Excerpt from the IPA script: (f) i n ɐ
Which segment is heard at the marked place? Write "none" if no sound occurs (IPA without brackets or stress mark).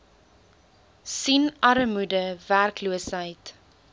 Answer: s